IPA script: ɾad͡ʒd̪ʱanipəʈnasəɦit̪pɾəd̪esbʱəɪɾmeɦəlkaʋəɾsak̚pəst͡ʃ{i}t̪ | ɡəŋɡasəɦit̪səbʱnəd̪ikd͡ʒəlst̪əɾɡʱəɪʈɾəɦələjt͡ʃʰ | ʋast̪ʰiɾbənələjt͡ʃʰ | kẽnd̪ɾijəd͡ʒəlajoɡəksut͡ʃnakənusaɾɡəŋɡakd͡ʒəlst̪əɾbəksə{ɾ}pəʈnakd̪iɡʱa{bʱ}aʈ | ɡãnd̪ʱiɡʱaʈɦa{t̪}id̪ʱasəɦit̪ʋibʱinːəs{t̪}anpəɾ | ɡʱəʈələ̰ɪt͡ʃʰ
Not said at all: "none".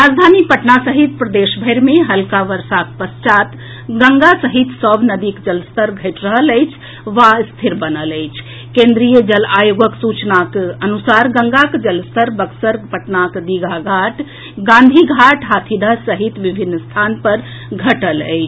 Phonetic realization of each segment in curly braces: a, ɾ, ɡʱ, t̪ʰ, t̪ʰ

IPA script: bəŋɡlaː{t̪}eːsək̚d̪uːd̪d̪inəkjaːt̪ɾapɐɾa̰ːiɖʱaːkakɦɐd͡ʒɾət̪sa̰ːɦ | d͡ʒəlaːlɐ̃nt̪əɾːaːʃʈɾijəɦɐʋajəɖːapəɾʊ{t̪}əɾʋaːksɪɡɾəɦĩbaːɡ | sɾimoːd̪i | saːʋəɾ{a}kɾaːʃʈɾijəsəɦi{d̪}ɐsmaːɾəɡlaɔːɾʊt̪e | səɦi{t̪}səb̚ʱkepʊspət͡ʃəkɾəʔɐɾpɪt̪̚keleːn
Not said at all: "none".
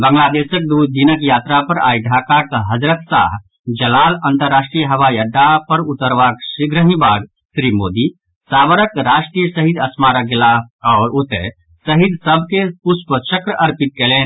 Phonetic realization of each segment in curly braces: d̪, t̪, ə, d̪, d̪

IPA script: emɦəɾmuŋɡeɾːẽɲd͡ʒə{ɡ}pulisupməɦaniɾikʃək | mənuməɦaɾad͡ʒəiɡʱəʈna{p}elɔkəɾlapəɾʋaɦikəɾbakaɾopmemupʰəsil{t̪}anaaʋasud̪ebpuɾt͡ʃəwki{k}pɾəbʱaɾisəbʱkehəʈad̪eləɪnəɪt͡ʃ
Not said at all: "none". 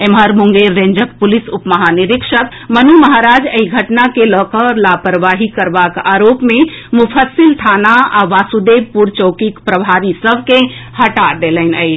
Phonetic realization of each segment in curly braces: k, k, t̪ʰ, k

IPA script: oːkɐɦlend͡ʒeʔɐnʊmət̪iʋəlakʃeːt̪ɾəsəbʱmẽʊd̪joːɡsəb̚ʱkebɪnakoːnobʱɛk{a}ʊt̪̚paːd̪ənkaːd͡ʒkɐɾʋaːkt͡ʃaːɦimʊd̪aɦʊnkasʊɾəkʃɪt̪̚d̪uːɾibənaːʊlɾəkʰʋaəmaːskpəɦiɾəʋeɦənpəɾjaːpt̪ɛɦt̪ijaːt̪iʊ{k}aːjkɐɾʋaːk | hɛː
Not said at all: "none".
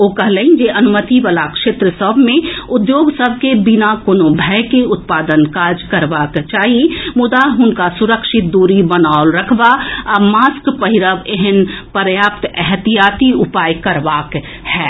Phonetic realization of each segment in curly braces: e, p

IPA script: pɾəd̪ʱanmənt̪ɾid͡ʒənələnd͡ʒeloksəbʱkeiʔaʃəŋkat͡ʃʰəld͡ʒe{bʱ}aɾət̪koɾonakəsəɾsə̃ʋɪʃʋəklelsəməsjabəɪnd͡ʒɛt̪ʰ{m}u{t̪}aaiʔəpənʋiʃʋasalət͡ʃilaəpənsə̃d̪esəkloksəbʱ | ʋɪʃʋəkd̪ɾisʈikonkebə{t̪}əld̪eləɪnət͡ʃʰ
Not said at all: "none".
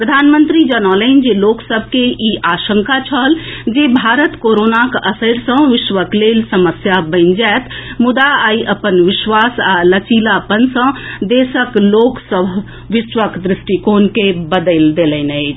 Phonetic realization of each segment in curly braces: bʱ, m, d̪, d̪

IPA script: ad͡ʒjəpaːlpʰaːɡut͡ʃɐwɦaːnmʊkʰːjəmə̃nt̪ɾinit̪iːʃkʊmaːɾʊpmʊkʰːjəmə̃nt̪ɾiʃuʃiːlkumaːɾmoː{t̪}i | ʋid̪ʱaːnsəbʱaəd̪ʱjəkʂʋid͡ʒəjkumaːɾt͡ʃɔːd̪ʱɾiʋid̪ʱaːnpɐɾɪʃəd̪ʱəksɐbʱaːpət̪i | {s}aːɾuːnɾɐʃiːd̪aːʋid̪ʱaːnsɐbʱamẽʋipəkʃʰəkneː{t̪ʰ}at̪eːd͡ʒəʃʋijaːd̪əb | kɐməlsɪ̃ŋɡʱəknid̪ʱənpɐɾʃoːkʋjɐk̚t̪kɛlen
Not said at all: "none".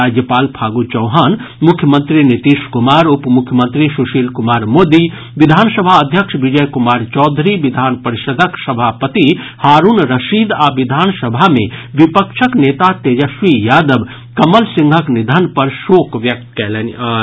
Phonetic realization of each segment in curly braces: d̪, h, t̪

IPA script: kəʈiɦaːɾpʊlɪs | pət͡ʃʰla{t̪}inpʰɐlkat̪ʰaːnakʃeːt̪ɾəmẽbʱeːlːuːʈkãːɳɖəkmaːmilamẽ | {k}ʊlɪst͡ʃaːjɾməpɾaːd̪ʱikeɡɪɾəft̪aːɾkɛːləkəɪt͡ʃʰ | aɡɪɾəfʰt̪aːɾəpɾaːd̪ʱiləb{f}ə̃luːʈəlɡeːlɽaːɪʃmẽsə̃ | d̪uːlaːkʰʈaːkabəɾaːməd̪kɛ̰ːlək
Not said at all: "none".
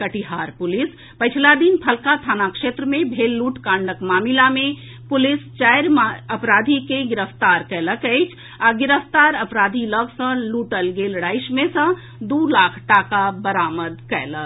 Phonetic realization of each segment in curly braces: d̪, p, s

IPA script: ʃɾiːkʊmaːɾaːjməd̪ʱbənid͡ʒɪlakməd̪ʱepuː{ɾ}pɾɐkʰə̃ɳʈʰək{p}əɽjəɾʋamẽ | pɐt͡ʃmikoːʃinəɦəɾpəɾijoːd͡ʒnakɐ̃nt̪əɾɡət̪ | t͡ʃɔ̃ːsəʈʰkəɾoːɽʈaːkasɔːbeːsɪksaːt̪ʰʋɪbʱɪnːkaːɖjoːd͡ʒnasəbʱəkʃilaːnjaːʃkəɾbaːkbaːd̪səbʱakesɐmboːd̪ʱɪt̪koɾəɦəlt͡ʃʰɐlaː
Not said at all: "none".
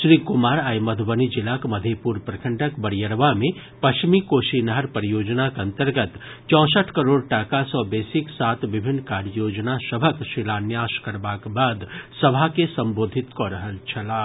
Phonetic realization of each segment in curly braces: ɾ, b

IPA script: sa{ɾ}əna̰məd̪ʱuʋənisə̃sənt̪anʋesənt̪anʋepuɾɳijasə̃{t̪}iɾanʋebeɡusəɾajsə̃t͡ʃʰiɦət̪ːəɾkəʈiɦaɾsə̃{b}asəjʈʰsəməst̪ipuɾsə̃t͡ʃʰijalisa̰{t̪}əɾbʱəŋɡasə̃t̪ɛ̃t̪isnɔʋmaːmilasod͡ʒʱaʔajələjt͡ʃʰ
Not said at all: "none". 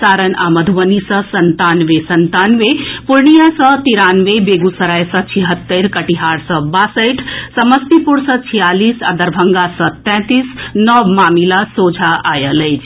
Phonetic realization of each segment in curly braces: ɾ, t̪, b, d̪

